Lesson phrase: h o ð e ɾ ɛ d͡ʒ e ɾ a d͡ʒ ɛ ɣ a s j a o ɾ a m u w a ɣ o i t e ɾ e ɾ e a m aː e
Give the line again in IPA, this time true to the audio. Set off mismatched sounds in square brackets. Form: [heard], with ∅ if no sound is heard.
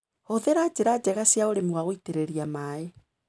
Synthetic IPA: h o ð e ɾ [a] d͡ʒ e ɾ a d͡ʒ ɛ ɣ a s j a o ɾ [e] m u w a ɣ o i t e ɾ e ɾ [i] a m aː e